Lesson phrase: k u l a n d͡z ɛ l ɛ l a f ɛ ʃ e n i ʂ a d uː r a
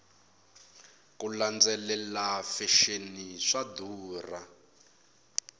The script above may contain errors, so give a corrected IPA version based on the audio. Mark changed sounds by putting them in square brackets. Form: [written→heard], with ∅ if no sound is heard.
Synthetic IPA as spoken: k u l a n d͡z ɛ l ɛ l a f ɛ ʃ e n i ʂ a d uː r a